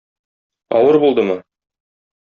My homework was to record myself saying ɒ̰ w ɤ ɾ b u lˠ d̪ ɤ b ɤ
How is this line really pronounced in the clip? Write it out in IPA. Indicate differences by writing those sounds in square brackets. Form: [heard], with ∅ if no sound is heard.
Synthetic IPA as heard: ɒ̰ w ɤ ɾ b u lˠ d̪ ɤ [m] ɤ

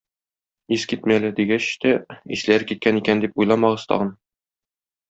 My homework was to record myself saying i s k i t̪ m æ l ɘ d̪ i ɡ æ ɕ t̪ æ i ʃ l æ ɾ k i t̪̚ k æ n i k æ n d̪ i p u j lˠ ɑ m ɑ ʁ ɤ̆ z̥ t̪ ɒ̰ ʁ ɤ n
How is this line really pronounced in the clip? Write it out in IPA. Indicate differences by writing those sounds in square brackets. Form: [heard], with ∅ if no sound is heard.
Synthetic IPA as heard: i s k i t̪ m æ l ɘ d̪ i ɡ æ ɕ t̪ æ i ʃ l æ ɾ k i t̪̚ k æ n i k æ n d̪ i p u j lˠ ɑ m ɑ ʁ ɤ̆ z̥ t̪ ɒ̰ ʁ ɤ n

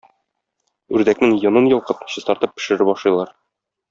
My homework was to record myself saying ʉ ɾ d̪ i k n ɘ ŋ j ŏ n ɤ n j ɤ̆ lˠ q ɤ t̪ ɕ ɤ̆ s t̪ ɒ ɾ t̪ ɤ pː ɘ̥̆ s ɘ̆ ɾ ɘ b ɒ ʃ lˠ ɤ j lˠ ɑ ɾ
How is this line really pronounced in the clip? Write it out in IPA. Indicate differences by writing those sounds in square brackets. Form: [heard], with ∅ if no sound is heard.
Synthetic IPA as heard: ʉ ɾ d̪ [æ] k n ɘ ŋ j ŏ n ɤ n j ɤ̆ lˠ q ɤ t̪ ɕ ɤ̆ s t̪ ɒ ɾ t̪ ɤ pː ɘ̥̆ [ʃ] ɘ̆ ɾ ɘ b ɒ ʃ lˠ ɤ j lˠ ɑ ɾ

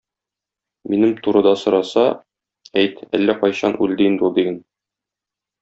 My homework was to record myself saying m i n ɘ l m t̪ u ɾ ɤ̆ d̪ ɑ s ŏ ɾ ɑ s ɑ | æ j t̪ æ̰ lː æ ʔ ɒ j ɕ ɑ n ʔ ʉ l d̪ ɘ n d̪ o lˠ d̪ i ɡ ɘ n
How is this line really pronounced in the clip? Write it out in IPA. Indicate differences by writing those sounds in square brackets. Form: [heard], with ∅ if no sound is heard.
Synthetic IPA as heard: m i n ɘ [∅] m t̪ u ɾ ɤ̆ d̪ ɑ s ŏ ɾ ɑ s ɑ | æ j t̪ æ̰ lː æ [q] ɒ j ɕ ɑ n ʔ ʉ l d̪ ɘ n d̪ [u] lˠ d̪ i ɡ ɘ n

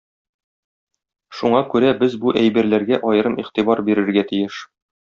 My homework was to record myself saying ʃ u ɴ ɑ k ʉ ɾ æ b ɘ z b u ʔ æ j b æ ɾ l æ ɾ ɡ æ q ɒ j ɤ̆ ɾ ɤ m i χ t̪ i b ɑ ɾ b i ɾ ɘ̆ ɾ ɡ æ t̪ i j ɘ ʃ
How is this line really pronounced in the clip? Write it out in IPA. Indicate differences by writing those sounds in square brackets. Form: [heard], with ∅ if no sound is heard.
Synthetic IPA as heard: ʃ u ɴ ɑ k ʉ ɾ æ b ɘ z b u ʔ æ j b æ ɾ l æ ɾ ɡ æ [ʔ] ɒ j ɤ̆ ɾ ɤ m i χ t̪ i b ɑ ɾ b i ɾ ɘ̆ ɾ ɡ æ t̪ i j ɘ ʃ

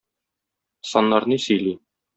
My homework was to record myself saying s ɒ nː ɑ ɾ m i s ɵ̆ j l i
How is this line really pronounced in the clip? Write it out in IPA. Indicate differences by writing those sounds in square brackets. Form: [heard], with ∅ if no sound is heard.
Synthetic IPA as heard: s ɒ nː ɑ ɾ [n] i s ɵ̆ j l i

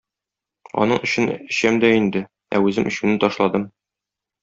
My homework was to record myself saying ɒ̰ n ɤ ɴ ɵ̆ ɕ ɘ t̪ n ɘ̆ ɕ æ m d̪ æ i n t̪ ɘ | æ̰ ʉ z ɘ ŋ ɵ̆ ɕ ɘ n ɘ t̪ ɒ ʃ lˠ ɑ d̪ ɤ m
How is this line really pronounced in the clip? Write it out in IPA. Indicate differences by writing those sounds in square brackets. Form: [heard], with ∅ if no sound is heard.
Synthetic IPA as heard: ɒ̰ n ɤ ɴ ɵ̆ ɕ ɘ [∅] n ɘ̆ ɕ æ m d̪ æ i n [d̪] ɘ | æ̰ ʉ z ɘ [m] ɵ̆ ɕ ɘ n ɘ t̪ ɒ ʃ lˠ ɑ d̪ ɤ m

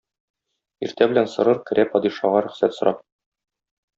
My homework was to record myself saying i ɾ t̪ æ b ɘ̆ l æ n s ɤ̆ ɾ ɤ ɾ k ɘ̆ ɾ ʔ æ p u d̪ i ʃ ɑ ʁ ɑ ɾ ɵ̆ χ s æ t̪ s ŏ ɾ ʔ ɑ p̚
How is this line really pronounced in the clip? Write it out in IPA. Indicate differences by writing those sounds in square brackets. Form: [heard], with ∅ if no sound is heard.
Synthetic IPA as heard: i ɾ t̪ æ b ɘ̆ l æ n s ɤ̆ ɾ ɤ ɾ k ɘ̆ ɾ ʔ æ p [ɒ] d̪ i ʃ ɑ ʁ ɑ ɾ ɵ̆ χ s æ t̪ s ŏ ɾ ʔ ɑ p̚

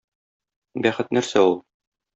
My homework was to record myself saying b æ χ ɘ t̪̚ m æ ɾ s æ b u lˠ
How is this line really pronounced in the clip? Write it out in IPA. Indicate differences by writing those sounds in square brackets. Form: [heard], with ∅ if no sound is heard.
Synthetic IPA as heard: b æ χ ɘ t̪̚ [n] æ ɾ s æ [∅] u lˠ

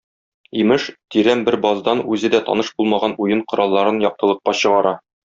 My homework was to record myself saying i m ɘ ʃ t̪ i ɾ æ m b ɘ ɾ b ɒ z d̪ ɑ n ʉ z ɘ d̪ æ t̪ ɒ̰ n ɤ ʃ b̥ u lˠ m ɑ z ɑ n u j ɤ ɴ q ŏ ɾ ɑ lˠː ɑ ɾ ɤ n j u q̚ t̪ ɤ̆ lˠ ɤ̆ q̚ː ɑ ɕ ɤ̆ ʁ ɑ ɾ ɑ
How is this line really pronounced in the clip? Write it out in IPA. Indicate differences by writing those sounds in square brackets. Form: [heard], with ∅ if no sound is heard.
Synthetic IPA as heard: i m ɘ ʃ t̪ i ɾ æ m b ɘ ɾ b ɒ z d̪ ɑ n ʉ z ɘ d̪ æ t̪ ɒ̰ n ɤ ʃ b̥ u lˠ m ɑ [ʁ] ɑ n u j ɤ ɴ q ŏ ɾ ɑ lˠː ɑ ɾ ɤ n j [ɒ] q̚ t̪ ɤ̆ lˠ ɤ̆ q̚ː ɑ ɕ ɤ̆ ʁ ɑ ɾ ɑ

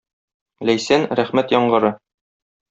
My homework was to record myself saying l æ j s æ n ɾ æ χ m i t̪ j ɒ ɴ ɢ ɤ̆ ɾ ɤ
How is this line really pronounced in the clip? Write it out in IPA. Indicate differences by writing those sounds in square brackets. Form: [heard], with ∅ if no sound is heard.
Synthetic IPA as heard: l æ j s æ n ɾ æ χ m [æ] t̪ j ɒ ɴ ɢ ɤ̆ ɾ ɤ

